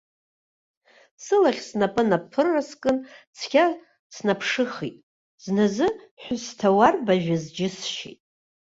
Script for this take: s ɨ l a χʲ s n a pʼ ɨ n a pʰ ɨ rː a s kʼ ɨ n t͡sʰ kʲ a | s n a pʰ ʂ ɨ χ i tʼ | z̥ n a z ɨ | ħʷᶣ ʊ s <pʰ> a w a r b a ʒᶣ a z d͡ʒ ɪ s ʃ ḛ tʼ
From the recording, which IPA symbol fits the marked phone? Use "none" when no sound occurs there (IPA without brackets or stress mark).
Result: tʰ